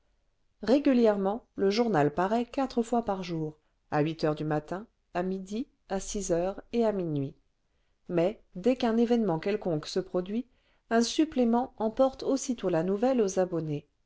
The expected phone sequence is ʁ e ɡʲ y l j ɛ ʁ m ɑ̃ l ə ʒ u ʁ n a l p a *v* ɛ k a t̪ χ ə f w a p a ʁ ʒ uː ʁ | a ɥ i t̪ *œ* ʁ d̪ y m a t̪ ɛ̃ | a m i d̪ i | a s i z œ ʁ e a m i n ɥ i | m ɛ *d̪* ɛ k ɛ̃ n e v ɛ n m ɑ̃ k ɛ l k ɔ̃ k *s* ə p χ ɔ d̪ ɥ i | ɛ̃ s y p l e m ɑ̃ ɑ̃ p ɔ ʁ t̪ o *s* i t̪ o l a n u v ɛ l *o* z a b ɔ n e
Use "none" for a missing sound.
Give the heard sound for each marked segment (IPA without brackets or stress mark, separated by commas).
ʁ, œ, d̪, s, s, o